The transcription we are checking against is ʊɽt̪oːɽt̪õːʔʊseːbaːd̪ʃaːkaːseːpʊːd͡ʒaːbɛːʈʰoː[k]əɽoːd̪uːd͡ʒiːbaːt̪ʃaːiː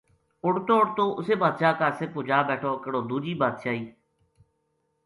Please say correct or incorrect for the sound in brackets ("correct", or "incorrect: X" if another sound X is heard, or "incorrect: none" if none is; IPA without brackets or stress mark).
correct